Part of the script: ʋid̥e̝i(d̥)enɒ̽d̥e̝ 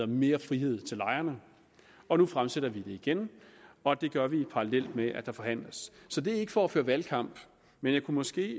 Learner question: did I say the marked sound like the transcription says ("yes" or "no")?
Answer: no